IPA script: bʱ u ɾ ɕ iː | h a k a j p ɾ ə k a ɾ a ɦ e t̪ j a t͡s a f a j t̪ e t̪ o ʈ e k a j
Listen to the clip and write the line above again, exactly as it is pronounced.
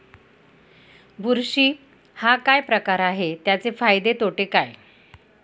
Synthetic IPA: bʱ u ɾ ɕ iː | h a k a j p ɾ ə k a ɾ a ɦ e t̪ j a t͡s e f a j d̪ e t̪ o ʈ e k a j